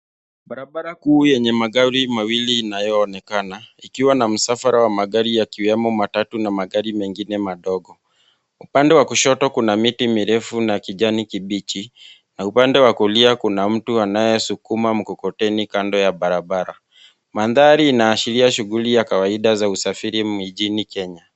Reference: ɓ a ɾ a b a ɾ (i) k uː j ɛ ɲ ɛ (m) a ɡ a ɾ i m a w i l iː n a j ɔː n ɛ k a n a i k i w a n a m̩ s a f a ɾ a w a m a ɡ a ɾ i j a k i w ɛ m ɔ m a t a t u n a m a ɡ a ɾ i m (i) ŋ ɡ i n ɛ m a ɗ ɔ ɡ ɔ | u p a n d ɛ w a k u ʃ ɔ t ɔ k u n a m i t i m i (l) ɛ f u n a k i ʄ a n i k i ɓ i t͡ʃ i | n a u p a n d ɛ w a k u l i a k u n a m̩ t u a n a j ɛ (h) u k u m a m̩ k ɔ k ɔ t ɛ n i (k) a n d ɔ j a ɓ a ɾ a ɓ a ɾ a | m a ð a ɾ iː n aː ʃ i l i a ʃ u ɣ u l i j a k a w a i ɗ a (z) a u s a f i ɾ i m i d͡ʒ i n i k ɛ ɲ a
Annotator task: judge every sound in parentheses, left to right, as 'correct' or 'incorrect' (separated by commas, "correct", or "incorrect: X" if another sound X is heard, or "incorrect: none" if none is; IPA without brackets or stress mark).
incorrect: a, correct, incorrect: ɛ, incorrect: ɾ, incorrect: s, correct, correct